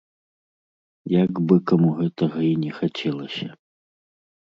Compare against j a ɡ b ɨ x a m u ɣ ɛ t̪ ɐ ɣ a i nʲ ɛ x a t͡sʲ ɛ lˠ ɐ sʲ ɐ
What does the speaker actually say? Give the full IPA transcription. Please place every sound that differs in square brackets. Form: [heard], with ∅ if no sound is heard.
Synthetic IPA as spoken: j a ɡ b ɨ [k] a m u ɣ ɛ t̪ ɐ ɣ [ɐ] i nʲ ɛ x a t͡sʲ ɛ lˠ ɐ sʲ ɐ